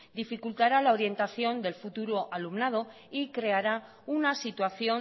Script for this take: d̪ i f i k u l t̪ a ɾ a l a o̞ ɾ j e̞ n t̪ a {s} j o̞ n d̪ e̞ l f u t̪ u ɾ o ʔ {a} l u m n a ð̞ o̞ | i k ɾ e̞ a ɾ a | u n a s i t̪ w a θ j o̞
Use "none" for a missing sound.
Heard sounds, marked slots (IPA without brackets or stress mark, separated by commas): θ, a